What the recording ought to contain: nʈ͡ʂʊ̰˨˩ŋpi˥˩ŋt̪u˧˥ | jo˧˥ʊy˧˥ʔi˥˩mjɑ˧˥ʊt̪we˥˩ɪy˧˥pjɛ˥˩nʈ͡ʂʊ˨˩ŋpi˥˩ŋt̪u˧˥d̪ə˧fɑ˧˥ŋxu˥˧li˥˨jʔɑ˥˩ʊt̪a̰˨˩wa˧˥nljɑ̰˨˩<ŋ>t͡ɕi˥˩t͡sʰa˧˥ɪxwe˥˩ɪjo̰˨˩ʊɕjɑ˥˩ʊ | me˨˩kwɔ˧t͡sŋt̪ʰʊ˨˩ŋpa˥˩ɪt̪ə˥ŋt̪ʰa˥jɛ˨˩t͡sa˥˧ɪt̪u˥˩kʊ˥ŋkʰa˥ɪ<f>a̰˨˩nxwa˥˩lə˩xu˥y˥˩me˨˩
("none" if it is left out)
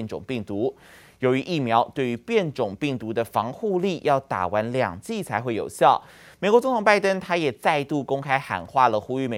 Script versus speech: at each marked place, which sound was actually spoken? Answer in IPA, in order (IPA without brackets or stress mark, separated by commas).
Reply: ŋ, x